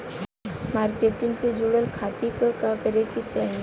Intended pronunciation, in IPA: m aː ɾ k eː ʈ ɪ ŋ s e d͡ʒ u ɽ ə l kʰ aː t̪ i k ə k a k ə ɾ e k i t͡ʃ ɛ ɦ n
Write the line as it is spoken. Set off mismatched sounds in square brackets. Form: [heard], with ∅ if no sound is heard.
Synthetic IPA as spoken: m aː ɾ k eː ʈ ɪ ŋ s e d͡ʒ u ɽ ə l kʰ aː t̪ i k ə k a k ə ɾ e k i t͡ʃ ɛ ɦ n